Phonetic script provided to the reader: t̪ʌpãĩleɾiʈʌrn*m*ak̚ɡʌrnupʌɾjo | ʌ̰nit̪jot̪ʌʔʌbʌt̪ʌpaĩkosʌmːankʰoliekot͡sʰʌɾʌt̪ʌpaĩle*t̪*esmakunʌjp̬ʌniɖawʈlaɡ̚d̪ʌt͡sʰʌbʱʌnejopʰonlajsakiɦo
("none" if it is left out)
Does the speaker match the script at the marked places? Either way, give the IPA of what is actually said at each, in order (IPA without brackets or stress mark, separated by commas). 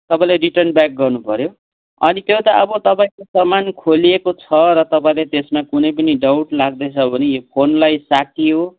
b, t̪